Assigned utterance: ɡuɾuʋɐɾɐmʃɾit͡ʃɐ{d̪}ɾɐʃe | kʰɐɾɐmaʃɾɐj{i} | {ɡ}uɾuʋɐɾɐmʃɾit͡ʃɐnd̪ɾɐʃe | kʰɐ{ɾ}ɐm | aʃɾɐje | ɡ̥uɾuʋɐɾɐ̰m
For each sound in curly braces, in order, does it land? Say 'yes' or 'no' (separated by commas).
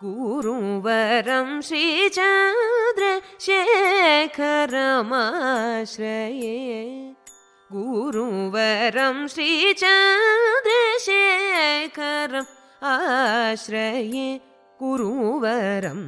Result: yes, no, yes, yes